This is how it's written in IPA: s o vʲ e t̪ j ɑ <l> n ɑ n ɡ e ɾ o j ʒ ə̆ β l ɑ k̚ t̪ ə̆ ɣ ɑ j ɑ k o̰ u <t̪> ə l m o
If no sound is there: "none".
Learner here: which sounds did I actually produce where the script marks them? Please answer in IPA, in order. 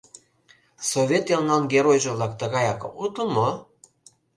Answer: l, t̪

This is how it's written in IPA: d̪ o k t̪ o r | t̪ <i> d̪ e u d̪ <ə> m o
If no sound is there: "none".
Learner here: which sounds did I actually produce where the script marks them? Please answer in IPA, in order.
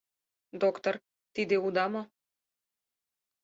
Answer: i, ɑ

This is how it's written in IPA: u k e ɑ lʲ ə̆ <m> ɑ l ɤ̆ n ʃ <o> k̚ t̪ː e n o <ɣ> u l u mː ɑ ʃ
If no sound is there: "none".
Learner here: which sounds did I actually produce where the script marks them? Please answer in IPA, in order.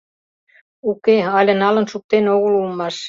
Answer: n, u, ɣ

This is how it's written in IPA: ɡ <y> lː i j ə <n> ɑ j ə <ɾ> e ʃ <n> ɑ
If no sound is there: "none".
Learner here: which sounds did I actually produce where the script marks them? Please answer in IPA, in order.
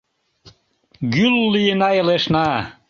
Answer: y, n, l, n

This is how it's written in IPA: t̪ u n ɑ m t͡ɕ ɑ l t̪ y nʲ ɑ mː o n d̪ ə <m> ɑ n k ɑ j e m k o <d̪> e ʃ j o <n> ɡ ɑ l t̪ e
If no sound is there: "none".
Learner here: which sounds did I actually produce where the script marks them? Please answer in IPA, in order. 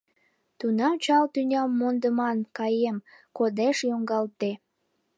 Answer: m, d̪, ŋ

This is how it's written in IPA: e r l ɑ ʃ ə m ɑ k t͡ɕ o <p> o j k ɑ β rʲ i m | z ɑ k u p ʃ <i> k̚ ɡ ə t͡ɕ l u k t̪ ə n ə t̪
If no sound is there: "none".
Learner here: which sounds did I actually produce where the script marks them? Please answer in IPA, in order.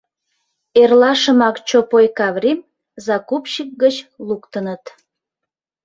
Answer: p, i

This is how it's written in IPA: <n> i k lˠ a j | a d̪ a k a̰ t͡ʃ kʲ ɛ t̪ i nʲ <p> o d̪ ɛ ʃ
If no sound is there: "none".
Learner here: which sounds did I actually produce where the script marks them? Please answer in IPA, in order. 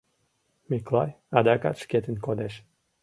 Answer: m, k

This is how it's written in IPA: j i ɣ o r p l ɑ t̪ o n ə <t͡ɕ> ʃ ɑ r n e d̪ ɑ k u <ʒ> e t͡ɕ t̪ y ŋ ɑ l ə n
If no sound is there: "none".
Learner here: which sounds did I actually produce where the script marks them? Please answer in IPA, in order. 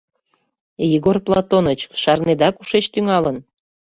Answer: t͡ɕ, ʃ

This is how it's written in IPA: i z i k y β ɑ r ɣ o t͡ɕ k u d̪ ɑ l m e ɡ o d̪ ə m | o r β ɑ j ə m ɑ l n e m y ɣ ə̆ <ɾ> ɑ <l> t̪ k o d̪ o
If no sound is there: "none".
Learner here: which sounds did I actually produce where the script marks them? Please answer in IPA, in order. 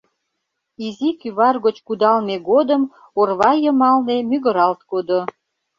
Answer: ɾ, l

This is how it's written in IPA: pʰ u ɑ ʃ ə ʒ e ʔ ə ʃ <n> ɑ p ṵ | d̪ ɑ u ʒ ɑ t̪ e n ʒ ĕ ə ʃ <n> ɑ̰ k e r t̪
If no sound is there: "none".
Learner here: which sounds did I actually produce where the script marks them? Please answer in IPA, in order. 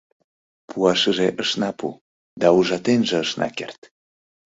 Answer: n, n

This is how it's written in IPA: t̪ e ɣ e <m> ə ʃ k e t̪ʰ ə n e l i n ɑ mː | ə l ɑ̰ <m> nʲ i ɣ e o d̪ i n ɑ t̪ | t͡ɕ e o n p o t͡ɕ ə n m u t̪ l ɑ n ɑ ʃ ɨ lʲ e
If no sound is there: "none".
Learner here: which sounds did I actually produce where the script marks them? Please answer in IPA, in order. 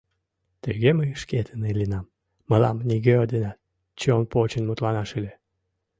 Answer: m, m

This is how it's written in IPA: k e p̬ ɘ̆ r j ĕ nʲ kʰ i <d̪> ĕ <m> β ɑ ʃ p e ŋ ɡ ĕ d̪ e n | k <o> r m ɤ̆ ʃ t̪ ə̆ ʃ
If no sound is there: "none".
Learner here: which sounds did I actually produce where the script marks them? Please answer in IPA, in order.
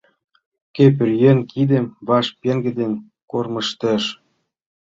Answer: d̪, m, o

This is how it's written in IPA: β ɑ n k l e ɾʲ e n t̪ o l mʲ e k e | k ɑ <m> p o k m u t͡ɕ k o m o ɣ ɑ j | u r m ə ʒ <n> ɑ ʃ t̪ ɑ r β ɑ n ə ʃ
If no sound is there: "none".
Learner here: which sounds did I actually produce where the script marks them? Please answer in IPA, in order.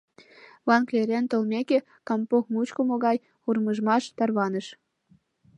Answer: m, m

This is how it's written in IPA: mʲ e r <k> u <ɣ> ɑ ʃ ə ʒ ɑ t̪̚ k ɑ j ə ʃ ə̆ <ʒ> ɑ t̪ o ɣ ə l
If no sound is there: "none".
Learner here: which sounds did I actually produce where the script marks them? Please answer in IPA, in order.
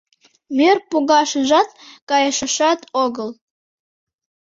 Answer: p, ɣ, ʃ

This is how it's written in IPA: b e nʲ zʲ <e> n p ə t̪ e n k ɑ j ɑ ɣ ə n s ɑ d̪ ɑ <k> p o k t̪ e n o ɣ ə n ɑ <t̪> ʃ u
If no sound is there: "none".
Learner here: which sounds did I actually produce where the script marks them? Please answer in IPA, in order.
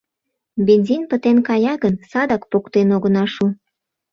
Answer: i, k, none

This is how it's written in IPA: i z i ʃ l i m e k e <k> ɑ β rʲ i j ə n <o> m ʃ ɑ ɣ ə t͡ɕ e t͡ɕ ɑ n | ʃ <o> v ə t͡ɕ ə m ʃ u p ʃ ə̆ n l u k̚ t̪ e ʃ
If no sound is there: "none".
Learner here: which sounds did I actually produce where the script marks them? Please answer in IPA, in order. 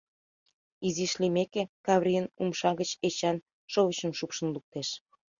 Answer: k, u, o

